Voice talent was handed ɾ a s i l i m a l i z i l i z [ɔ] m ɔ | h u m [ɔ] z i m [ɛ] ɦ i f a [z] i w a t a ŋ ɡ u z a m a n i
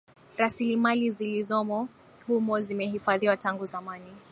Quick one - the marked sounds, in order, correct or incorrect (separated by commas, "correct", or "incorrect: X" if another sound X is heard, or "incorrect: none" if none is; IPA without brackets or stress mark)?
correct, correct, correct, incorrect: ð